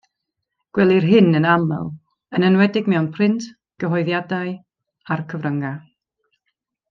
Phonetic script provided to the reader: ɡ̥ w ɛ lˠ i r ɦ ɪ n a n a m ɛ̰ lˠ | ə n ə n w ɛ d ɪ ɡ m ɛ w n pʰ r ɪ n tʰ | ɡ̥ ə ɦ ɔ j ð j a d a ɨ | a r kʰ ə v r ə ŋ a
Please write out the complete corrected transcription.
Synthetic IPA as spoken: ɡ̥ w ɛ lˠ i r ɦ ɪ n ə n a m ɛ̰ lˠ | ə n ə n w ɛ d ɪ ɡ m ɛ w n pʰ r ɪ n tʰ | ɡ̥ ə ɦ ɔ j ð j a d a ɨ | a r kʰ ə v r ə ŋ a